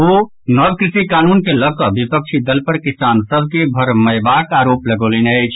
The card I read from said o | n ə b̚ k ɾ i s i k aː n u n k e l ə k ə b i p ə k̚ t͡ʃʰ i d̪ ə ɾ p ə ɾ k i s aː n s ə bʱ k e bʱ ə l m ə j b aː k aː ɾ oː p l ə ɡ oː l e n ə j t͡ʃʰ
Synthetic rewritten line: o | n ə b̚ k ɾ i s i k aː n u n k e l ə k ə b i p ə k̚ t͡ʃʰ i d̪ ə l p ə ɾ k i s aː n s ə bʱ k e bʱ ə ɾ m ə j b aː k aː ɾ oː p l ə ɡ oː l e n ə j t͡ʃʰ